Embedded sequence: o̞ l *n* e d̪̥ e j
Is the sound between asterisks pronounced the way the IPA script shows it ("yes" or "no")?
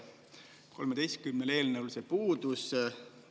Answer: no